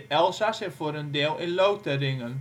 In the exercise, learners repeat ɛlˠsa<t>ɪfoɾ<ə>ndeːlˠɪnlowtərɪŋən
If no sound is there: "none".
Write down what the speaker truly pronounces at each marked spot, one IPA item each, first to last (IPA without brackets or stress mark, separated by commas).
s, ə